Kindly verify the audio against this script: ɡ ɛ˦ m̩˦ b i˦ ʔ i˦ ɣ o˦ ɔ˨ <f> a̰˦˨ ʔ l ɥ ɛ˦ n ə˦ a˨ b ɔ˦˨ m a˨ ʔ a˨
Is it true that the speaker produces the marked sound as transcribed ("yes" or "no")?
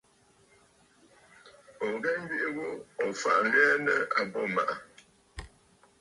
yes